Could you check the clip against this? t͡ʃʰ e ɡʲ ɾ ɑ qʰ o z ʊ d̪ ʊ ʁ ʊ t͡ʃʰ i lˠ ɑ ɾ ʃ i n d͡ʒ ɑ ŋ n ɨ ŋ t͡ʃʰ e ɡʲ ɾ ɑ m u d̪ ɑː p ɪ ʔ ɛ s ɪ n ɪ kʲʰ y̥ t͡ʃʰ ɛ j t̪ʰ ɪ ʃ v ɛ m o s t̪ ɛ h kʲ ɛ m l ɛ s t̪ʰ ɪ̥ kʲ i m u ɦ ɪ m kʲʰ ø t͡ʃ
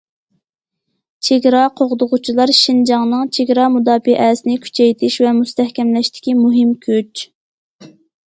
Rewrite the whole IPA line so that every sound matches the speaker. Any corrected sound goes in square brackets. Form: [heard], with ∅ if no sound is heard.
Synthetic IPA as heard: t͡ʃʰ e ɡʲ ɾ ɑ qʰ o [ʁ] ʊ d̪ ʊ ʁ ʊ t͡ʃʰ i lˠ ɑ ɾ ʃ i n d͡ʒ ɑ ŋ n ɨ ŋ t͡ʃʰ e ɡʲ ɾ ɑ m u d̪ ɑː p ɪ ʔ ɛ s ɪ n ɪ kʲʰ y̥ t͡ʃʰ ɛ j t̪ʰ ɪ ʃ v ɛ m [u] s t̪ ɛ h kʲ ɛ m l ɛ [ʃ] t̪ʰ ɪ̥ kʲ i m u ɦ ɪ m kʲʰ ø t͡ʃ